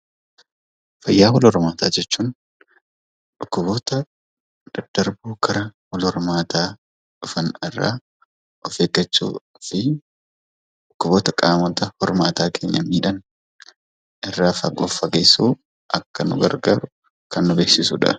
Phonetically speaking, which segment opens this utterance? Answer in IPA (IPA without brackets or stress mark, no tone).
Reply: f